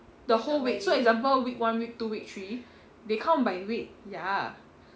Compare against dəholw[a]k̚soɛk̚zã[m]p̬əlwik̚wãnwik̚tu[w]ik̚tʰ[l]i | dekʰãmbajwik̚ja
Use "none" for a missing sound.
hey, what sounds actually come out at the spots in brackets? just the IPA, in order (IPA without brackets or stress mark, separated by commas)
i, m, w, ɹ